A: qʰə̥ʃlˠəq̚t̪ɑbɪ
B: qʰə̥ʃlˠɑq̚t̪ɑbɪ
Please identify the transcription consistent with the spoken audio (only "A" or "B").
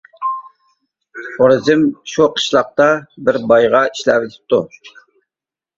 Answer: B